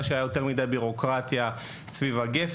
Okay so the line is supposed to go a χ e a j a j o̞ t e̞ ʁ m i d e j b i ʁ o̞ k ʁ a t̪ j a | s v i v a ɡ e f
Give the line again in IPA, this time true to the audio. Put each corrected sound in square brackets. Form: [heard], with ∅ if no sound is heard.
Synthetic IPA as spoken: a [ʃ] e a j a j o̞ t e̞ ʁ m i d [a] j b i ʁ o̞ k ʁ a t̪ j a | s v i v a ɡ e f

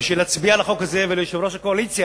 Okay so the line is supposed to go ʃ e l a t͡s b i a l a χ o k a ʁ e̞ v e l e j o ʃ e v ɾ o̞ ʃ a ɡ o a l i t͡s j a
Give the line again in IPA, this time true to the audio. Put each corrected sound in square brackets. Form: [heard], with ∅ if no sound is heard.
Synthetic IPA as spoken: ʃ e l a t͡s b i a l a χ o k a [z] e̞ v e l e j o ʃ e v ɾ o̞ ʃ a [k] o a l i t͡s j a

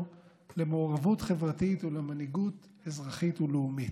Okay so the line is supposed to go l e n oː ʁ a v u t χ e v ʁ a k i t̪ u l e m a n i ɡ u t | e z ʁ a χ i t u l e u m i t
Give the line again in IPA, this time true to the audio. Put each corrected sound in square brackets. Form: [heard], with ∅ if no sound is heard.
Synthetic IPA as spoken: l e [m] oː ʁ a v u t χ e v ʁ a [t] i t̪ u l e m a n i ɡ u t | e z ʁ a χ i t u l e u m i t

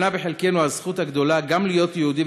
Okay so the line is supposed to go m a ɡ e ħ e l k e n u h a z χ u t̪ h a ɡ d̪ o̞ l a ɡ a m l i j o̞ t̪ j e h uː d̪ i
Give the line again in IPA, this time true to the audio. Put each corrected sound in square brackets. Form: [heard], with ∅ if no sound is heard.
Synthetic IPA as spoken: [n] a [b] e ħ e l k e n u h a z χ u t̪ h a ɡ d̪ o̞ l a ɡ a m l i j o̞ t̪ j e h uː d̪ i

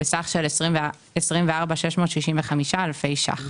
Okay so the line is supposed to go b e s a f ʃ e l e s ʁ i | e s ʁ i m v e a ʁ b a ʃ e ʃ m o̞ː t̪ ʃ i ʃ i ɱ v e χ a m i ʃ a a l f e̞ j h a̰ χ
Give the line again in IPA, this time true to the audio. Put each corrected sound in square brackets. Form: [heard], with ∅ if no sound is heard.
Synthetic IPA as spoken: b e s a [χ] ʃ e l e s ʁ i | e s ʁ i m v e a ʁ b a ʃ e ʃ m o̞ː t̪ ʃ i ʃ i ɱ v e χ a m i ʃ a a l f e̞ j [ʃ] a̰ χ

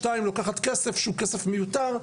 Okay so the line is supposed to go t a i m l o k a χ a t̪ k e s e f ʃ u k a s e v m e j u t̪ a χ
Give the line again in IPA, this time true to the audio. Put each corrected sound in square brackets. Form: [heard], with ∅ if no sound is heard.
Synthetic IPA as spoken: t a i m l o k a χ a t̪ k e s e f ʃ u k [e] s e [f] m e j u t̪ a [ʁ]

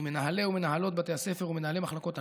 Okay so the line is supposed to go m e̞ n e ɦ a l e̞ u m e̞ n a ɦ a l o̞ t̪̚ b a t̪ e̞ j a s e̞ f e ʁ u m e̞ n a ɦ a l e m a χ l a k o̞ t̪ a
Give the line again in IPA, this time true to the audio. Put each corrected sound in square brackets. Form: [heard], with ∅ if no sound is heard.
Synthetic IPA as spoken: m e̞ n [a] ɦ a l e̞ u m e̞ n a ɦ a l o̞ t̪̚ b a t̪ e̞ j a s e̞ f e ʁ u m e̞ n a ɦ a l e m a χ l a k o̞ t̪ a

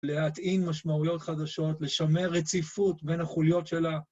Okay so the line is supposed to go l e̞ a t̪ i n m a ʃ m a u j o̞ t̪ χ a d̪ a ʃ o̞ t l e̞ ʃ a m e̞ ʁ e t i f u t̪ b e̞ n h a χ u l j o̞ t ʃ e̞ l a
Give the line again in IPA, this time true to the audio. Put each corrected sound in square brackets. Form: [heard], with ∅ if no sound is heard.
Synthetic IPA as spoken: l e̞ a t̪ i n m a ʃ m a u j o̞ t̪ χ a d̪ a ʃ o̞ t l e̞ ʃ a m e̞ ʁ e [t͡s] i f u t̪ b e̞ n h a χ u l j o̞ t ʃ e̞ l a

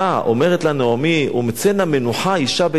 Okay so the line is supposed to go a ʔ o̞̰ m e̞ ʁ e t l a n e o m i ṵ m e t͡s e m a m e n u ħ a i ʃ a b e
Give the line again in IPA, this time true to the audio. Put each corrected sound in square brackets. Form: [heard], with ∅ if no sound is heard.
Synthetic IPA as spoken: a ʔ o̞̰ m e̞ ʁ e t l a n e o m i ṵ m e t͡s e [n] a m e n u ħ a i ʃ a b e

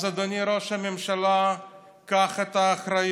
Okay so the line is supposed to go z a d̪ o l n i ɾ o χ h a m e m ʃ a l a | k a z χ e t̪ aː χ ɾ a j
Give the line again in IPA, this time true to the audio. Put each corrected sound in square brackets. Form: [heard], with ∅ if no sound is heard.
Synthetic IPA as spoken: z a d̪ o [∅] n i ɾ o [ʃ] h a m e m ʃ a l a | k a [∅] χ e t̪ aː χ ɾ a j

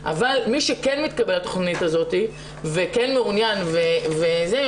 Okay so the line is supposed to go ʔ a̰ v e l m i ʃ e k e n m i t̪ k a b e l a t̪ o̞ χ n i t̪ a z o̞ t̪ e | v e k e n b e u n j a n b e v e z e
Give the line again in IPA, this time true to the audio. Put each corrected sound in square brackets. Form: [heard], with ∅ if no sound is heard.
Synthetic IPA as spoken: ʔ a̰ v [a] l m i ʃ e k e n m i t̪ k a b e l a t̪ o̞ χ n i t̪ a z o̞ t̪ [i] | v e k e n [m] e u n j a n [v] e v e z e

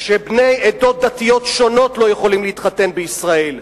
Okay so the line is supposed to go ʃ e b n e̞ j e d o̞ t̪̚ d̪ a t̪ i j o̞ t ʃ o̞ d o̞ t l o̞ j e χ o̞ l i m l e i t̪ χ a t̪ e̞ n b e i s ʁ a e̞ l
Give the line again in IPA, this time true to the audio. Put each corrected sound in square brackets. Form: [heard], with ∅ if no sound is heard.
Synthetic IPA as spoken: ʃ e b n e̞ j e d o̞ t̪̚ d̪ a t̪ i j o̞ t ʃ o̞ [n] o̞ t l o̞ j e χ o̞ l i m l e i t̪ χ a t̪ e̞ n b e i s ʁ a e̞ l

